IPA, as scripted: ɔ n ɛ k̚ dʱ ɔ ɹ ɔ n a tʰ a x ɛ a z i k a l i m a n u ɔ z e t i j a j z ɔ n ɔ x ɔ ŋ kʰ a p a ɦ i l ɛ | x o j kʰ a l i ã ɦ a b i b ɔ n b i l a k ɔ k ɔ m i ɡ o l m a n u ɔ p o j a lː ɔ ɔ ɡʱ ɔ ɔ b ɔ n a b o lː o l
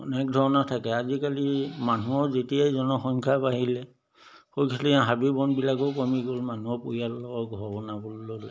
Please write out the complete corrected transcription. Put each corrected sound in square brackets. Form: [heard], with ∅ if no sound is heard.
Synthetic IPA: ɔ n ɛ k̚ dʱ ɔ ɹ ɔ n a tʰ a [k] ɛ a z i k a l i m a n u ɔ z e t i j a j z ɔ n ɔ x ɔ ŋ kʰ a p a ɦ i l ɛ | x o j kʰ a l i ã ɦ a b i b ɔ n b i l a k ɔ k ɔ m i ɡ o l m a n u ɔ p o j a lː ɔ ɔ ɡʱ ɔ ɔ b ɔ n a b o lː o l

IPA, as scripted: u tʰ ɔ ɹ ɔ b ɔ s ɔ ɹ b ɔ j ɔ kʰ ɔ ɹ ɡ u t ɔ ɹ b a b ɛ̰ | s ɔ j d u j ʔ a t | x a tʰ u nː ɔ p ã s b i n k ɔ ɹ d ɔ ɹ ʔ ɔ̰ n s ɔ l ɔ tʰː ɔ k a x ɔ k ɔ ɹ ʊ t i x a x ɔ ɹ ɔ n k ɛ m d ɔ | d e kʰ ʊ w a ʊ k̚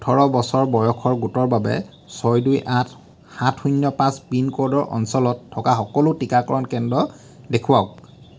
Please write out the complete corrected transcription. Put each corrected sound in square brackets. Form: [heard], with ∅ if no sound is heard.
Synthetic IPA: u tʰ ɔ ɹ ɔ b ɔ s ɔ ɹ b ɔ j ɔ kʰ ɔ ɹ ɡ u t ɔ ɹ b a b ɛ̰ | s ɔ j d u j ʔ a t | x a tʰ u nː ɔ p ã s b i n k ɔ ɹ d ɔ ɹ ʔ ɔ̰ n s ɔ l ɔ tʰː ɔ k a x ɔ k ɔ [l] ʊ t i [k] a [k] ɔ ɹ ɔ n k ɛ [n] d ɔ | d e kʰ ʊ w a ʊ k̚

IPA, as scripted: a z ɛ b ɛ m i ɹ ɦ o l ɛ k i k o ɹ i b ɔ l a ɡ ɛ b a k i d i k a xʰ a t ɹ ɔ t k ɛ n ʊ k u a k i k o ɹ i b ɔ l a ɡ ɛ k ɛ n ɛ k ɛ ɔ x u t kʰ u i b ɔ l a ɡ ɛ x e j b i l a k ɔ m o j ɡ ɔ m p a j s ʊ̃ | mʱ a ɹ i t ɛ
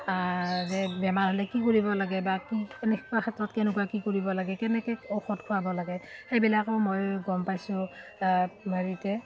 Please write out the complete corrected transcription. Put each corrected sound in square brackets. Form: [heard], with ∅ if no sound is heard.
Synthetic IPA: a z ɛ b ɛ m [a] ɹ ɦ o l ɛ k i k o ɹ i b ɔ l a ɡ ɛ b a k i [n] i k a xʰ a t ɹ ɔ t k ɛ n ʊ k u a k i k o ɹ i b ɔ l a ɡ ɛ k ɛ n ɛ k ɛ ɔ x [ɔ] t kʰ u [a] b ɔ l a ɡ ɛ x e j b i l a k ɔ m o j ɡ ɔ m p a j s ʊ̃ | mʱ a ɹ i t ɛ

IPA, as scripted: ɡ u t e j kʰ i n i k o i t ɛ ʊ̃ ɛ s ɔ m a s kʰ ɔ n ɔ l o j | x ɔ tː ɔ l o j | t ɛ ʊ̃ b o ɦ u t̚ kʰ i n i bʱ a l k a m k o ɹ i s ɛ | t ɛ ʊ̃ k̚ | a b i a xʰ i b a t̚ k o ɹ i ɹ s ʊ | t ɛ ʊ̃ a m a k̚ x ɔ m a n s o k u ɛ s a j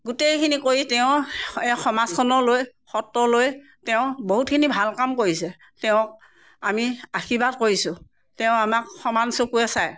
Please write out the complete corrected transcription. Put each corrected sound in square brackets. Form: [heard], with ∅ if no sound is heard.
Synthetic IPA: ɡ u t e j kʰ i n i k o i t ɛ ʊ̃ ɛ [x] ɔ m a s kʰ ɔ n ɔ l o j | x ɔ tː ɔ l o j | t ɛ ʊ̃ b o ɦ u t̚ kʰ i n i bʱ a l k a m k o ɹ i s ɛ | t ɛ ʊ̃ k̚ | a [m] i a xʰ i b a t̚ k o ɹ i [∅] s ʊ | t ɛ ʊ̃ a m a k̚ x ɔ m a n s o k u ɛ s a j

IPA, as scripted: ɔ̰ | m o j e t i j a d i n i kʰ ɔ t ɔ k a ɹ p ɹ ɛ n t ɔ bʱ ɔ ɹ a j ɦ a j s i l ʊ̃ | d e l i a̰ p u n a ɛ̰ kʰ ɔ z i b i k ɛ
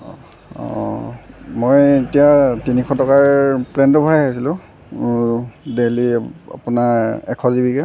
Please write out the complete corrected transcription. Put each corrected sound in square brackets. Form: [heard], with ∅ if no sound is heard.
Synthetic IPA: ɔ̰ | m o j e t i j a [t] i n i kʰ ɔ t ɔ k a ɹ p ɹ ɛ n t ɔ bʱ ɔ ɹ a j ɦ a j s i l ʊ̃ | d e l i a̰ p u n a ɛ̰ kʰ ɔ z i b i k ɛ

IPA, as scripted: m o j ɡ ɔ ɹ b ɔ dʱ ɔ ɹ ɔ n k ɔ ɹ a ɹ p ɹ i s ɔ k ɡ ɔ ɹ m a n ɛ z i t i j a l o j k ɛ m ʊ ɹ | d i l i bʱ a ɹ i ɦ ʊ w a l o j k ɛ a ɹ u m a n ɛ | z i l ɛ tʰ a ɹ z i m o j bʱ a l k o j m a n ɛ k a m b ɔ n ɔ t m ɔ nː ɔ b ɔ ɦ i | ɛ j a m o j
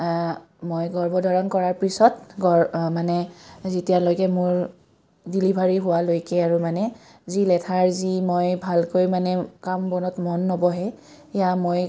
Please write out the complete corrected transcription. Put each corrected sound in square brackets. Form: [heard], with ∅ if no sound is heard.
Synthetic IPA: m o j ɡ ɔ ɹ b ɔ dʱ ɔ ɹ ɔ n k ɔ ɹ a ɹ p ɹ i s ɔ [t] ɡ ɔ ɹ m a n ɛ z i t i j a l o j k ɛ m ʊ ɹ | d i l i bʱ a ɹ i ɦ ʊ w a l o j k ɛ a ɹ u m a n ɛ | z i l ɛ tʰ a ɹ z i m o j bʱ a l k o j m a n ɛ k a m b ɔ n ɔ t m ɔ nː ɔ b ɔ ɦ [ɛ] | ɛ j a m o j

